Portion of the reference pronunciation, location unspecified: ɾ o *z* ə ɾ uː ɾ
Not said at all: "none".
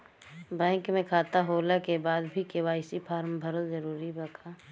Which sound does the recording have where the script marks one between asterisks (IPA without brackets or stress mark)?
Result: z